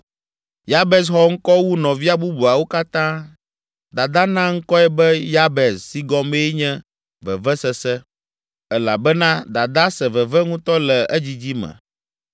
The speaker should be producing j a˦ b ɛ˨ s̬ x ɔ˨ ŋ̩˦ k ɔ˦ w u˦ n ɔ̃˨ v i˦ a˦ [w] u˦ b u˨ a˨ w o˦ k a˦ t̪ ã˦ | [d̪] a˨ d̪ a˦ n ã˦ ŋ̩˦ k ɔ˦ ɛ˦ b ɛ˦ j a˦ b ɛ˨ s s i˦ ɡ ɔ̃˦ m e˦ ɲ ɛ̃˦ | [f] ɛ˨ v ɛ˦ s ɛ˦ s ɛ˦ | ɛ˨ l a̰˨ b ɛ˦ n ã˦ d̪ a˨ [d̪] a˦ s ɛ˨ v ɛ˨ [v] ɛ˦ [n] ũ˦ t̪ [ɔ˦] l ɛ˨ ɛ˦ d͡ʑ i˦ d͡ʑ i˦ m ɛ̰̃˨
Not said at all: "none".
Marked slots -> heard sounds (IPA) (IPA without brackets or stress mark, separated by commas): b, d̪, v, d̪, v, ŋ, ɔ˦